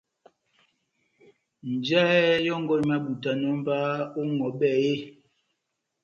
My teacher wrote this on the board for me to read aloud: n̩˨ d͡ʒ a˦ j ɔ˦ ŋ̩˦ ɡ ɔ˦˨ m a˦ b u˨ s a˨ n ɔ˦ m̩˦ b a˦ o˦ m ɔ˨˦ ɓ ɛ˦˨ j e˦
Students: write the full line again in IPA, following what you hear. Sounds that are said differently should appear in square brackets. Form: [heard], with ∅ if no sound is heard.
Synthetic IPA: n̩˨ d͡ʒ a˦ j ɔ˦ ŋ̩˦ ɡ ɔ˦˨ m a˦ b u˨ [t] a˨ n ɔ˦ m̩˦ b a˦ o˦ [ŋ] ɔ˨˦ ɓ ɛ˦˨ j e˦

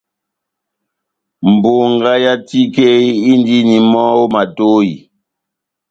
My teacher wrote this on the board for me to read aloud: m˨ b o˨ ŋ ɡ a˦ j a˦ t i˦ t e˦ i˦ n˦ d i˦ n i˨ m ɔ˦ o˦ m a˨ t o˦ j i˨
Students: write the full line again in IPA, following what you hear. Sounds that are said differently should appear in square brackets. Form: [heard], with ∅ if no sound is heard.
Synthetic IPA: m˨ b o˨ ŋ ɡ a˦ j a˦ t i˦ [k] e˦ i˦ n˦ d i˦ n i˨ m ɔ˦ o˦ m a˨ t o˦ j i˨

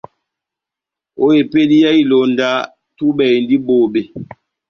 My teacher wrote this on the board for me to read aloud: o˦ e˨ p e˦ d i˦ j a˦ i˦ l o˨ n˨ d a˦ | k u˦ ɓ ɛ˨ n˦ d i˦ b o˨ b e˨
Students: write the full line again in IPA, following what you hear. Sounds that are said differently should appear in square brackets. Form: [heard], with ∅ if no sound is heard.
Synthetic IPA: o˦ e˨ p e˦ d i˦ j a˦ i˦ l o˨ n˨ d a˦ | [t] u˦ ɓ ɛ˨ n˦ d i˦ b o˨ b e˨

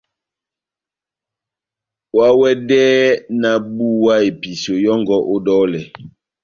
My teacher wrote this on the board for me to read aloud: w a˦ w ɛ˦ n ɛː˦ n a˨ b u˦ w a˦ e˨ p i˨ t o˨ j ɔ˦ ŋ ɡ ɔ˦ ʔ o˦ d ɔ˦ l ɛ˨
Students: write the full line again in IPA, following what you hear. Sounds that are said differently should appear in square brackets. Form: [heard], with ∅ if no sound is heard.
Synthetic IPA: w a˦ w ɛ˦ [d] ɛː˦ n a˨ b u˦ w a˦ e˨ p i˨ [s] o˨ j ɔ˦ ŋ ɡ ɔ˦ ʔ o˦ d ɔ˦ l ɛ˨

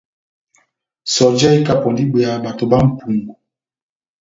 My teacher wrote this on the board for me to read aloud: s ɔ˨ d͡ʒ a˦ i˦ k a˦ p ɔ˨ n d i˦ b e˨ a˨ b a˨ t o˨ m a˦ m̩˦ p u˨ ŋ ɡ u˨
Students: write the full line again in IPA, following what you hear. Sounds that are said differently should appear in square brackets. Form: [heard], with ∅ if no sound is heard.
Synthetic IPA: s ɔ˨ d͡ʒ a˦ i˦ k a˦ p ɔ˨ n d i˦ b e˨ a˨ b a˨ t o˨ [b] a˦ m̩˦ p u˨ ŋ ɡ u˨

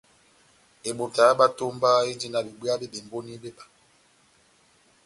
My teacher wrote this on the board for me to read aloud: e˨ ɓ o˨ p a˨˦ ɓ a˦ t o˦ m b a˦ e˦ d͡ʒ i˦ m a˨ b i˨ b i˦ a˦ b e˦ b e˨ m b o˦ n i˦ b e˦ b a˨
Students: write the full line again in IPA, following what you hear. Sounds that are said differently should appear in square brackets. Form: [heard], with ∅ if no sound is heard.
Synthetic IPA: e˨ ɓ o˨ [t] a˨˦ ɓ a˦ t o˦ m b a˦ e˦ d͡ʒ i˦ [n] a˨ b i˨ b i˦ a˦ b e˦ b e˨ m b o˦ n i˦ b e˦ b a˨

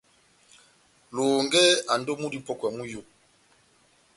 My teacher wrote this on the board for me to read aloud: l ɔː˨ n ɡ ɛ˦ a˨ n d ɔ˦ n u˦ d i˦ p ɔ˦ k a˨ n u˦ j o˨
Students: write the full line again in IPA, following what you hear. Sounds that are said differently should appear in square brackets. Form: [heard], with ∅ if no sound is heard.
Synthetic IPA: l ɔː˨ [ŋ] ɡ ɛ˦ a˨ n d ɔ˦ [m] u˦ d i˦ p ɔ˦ k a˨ [m] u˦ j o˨

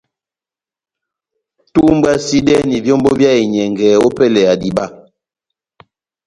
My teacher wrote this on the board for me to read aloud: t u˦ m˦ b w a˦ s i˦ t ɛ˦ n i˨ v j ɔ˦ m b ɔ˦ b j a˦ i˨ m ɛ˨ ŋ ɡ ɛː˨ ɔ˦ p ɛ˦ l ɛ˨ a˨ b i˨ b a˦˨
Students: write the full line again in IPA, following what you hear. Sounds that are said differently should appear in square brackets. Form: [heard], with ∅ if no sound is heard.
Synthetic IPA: t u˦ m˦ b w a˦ s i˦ [d] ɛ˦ n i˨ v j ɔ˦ m b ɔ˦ b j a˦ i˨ [ɲ] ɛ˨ ŋ ɡ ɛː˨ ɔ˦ p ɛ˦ l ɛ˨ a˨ [d] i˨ b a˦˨

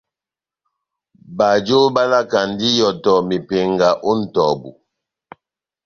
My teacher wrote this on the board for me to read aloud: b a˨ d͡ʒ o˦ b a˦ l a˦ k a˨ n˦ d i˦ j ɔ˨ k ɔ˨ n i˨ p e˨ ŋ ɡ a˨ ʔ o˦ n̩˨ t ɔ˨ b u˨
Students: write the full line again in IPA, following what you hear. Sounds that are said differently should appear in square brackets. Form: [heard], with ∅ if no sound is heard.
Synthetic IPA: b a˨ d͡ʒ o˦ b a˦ l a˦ k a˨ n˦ d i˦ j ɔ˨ [t] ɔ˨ [m] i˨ p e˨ ŋ ɡ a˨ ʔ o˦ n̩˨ t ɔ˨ b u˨

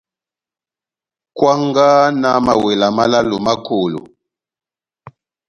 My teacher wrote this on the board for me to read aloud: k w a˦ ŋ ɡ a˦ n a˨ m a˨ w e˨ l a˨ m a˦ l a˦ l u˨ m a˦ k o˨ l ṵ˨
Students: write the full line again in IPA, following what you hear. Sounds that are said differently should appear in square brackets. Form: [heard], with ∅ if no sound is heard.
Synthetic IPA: k w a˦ ŋ ɡ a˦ n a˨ m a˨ w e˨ l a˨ m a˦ l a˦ l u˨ m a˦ k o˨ l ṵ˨

